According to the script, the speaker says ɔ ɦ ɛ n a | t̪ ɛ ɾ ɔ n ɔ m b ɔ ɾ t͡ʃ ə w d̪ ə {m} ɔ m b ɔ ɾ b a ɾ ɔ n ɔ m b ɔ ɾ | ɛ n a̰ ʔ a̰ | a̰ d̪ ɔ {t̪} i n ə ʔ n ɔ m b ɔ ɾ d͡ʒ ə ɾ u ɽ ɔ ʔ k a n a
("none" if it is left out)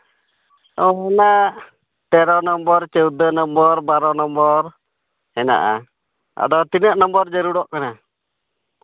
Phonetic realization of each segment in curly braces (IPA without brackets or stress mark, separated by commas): n, t̪